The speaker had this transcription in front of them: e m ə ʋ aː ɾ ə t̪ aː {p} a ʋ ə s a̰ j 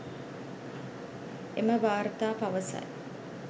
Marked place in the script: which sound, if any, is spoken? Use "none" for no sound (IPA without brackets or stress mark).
p